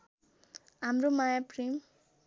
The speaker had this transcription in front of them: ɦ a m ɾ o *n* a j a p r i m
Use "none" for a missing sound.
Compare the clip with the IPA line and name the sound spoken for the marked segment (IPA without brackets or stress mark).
m